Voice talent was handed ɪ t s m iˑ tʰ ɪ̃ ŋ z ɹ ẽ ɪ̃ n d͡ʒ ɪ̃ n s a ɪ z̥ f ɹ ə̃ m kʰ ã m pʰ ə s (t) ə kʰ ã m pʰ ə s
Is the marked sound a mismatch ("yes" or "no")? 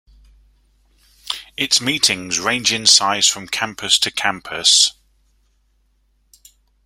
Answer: yes